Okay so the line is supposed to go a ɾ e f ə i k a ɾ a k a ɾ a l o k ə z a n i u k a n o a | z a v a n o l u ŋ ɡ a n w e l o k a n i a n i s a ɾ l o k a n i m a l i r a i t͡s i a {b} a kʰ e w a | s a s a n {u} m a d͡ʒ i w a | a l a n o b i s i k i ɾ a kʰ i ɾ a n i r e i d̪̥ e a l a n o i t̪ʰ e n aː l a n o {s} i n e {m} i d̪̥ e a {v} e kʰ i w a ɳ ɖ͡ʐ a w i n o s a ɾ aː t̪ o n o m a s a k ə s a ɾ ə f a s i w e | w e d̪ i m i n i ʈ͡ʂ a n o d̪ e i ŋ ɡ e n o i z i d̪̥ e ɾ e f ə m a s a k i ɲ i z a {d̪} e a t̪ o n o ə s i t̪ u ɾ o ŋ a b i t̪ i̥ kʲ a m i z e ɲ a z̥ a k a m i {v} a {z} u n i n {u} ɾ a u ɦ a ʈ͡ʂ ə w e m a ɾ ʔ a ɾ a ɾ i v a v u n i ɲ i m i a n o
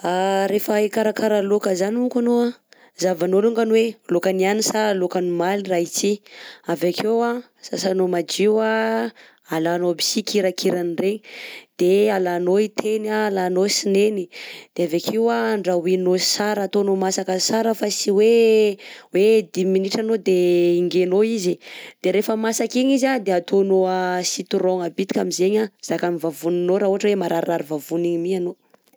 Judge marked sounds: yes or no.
no, no, yes, no, yes, yes, yes, no, no

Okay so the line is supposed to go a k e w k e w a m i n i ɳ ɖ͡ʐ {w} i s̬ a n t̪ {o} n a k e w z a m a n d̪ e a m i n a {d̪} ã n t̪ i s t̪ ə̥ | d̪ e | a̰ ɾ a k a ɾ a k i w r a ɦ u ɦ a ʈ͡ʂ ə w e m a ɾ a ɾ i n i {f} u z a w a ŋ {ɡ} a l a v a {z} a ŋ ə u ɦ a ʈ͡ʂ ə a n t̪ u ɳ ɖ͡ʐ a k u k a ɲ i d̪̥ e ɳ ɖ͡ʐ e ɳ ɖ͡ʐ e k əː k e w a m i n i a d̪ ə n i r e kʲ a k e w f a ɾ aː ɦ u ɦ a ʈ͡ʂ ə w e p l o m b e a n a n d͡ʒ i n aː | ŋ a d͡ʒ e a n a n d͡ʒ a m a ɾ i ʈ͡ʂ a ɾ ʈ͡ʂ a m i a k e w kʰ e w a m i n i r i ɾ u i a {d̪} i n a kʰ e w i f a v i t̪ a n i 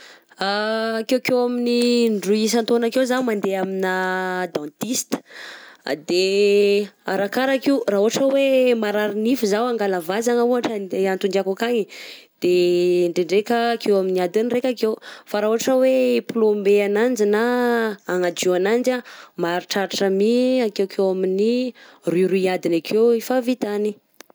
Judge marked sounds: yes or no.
no, yes, yes, yes, yes, yes, yes

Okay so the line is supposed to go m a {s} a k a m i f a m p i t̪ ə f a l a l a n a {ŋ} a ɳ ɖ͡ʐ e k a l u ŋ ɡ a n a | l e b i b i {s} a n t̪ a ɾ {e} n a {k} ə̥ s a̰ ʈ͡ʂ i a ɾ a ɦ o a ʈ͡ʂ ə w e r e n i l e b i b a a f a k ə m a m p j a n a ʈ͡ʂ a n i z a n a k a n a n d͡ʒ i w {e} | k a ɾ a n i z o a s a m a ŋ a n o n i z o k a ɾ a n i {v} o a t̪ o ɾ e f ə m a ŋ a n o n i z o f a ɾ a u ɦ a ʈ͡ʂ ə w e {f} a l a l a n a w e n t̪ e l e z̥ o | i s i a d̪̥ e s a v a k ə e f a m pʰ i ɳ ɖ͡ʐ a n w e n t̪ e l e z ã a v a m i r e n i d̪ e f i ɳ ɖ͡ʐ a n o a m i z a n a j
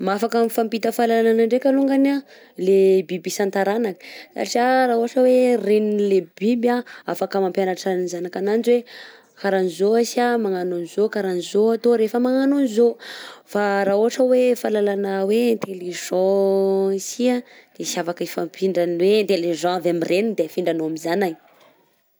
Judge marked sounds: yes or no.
no, no, yes, no, yes, yes, no, yes

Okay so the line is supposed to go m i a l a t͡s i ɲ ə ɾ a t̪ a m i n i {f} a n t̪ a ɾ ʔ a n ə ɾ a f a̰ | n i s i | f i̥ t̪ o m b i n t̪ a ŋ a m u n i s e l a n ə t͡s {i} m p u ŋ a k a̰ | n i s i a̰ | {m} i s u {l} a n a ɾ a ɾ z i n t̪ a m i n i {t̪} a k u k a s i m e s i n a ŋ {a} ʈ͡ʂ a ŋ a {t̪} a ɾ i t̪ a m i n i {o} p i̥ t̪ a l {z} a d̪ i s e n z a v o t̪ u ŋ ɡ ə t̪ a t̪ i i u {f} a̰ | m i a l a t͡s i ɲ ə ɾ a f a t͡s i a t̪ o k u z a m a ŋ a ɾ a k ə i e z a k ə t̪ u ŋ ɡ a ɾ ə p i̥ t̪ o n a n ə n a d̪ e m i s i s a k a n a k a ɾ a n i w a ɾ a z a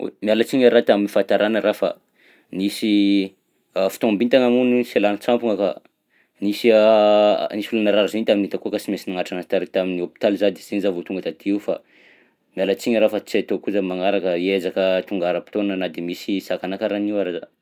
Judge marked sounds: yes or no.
yes, no, no, yes, yes, yes, yes, yes, yes, yes

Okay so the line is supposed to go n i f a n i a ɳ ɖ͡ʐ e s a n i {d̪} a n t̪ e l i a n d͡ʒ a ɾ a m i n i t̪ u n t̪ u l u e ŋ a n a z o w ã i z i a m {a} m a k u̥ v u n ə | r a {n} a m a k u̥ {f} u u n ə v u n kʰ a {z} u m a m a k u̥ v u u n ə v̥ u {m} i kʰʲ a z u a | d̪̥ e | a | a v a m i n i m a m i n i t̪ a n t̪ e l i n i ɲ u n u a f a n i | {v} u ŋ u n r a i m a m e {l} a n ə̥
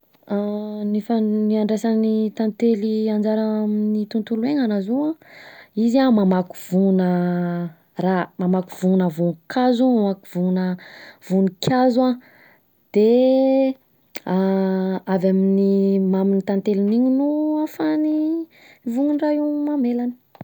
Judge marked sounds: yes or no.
no, yes, no, no, yes, no, yes, yes

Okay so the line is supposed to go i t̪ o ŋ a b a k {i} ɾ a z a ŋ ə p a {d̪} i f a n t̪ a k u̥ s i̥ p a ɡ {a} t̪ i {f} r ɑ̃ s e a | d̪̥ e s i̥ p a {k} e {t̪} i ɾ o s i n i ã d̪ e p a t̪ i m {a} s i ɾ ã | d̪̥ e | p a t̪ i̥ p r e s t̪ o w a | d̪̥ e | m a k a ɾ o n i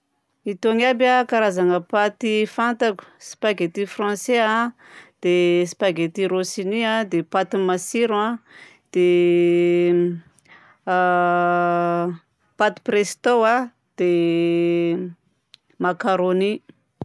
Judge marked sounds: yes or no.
no, no, no, yes, no, yes, yes

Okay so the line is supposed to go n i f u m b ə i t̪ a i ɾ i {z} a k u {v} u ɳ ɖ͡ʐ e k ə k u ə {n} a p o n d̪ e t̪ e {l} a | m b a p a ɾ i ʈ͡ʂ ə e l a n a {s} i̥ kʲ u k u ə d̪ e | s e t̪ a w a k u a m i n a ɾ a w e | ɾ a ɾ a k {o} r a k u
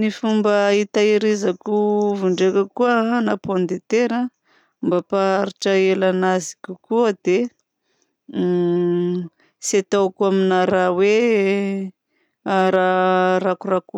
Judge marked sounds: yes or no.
yes, yes, yes, no, no, no

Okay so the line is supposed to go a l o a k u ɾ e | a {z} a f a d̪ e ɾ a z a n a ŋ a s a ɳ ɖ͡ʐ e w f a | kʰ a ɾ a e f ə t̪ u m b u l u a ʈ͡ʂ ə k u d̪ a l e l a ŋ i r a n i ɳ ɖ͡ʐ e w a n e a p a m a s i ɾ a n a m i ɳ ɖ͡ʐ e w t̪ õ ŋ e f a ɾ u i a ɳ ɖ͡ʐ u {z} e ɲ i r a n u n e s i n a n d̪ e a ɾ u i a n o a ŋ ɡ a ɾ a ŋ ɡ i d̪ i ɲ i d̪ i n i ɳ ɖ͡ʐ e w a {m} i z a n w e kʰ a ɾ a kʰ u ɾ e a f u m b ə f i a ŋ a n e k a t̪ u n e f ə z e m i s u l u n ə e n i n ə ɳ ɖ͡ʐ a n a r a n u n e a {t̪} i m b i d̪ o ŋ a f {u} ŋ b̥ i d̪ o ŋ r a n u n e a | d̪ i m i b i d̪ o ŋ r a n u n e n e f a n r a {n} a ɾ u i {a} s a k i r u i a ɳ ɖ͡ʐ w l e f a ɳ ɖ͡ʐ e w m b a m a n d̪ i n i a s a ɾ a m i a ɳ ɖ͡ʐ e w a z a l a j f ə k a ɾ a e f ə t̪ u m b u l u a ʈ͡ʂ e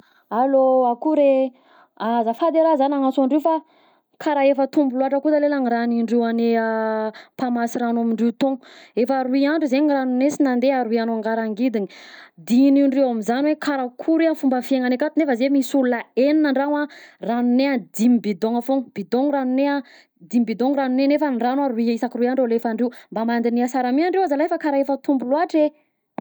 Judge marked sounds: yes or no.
yes, yes, yes, no, no, yes, no

